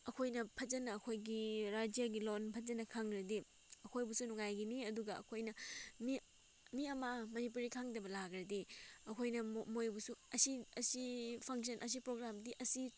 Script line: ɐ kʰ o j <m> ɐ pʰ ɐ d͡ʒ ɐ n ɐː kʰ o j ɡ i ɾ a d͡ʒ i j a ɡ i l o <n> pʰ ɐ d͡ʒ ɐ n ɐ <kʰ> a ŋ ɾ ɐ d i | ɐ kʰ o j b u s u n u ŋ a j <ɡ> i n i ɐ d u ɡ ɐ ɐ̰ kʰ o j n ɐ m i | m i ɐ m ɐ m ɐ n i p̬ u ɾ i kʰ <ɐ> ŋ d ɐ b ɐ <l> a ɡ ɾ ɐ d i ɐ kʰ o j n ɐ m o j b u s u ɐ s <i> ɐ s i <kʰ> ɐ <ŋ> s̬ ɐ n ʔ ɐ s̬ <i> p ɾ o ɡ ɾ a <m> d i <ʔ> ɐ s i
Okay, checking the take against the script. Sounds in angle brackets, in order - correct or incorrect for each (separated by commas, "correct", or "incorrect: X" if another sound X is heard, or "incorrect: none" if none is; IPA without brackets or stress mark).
incorrect: n, correct, correct, correct, incorrect: a, correct, correct, incorrect: pʰ, correct, correct, correct, correct